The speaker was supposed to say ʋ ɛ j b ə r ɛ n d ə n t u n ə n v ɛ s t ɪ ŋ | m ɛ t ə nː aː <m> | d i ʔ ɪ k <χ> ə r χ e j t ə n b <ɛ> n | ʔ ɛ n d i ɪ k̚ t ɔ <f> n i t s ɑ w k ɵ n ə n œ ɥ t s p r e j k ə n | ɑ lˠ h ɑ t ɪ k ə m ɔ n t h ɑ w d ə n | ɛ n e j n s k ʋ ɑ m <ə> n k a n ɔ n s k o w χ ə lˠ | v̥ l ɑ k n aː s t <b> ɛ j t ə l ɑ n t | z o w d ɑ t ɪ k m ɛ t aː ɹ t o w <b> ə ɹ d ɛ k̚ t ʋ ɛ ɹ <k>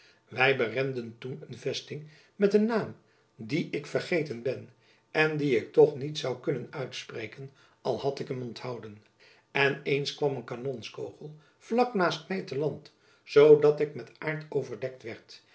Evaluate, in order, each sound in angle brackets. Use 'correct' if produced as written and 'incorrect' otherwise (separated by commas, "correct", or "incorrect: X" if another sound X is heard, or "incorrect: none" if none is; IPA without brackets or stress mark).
correct, incorrect: f, correct, incorrect: χ, correct, incorrect: m, incorrect: v, incorrect: t